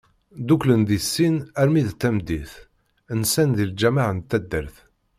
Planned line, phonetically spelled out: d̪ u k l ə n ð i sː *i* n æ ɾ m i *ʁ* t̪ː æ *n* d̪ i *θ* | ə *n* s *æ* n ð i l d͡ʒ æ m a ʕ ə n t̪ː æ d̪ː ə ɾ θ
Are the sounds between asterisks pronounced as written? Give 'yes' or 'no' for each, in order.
yes, no, no, yes, yes, yes

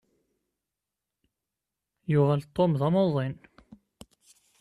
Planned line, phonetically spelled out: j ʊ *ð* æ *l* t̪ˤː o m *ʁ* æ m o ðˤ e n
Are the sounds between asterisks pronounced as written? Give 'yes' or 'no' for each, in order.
no, yes, no

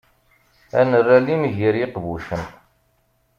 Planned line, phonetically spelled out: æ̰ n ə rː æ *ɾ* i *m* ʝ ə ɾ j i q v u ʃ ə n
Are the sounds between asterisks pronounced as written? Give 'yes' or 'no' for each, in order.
no, yes

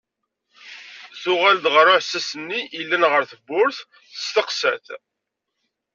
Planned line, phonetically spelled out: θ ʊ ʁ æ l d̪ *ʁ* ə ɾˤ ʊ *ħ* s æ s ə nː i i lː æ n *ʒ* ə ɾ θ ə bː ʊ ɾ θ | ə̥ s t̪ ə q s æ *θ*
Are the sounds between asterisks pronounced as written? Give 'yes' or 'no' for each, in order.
yes, yes, no, yes

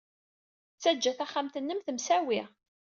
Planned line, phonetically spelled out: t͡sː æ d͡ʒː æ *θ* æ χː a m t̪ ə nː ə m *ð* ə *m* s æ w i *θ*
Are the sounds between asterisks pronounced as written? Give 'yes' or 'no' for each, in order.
yes, no, yes, no

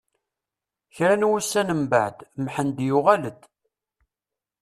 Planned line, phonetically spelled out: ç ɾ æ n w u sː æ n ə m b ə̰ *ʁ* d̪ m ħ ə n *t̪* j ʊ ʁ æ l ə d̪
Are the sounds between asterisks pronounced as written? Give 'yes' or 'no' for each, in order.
no, no

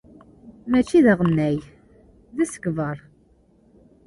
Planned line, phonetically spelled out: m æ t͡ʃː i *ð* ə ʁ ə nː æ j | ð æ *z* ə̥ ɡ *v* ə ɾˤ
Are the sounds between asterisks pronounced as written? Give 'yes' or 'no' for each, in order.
yes, no, yes

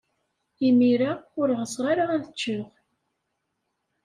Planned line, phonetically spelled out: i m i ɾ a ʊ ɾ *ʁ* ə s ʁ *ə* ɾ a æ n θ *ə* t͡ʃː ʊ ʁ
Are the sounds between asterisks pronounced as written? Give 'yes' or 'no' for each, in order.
yes, no, yes

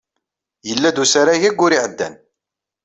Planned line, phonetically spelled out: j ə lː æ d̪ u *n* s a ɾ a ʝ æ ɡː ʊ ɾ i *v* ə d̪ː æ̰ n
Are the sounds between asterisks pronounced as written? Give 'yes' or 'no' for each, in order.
no, no

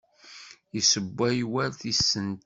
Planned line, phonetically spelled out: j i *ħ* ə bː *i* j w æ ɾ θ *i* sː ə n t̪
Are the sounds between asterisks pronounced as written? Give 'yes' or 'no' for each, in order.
no, no, yes

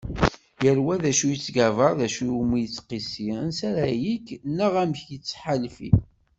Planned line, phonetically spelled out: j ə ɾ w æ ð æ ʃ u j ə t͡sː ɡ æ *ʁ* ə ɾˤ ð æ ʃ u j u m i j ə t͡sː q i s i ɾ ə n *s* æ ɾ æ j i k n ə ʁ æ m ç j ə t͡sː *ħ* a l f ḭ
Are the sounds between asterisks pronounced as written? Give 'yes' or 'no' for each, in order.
no, yes, yes

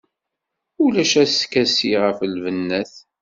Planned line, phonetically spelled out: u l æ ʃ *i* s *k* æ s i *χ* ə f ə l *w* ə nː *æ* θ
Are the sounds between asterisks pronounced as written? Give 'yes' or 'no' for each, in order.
no, yes, no, no, yes

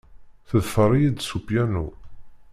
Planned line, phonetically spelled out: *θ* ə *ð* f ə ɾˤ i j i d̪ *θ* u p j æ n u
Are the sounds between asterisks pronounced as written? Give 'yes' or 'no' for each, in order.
yes, yes, no

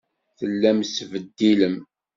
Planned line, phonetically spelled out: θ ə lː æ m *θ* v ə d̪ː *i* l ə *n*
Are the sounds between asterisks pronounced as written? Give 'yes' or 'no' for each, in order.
no, yes, no

